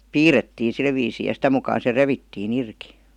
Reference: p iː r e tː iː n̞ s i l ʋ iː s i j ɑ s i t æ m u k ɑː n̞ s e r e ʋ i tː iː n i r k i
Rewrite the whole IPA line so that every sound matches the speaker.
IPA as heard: p iː r e tː iː n̞ s i l ʋ iː s iː j ɑ s i t æ m u k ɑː n̞ s e r e ʋ i tː iː n i r k i